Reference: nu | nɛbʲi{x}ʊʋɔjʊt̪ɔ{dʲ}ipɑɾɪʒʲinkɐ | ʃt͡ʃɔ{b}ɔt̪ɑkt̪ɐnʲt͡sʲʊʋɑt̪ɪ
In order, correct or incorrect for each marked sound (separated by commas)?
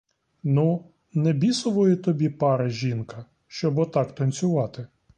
incorrect, incorrect, correct